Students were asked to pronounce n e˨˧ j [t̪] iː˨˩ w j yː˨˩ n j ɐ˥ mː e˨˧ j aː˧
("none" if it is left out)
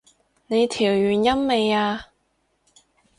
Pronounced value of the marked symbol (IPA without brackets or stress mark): t̪ʰ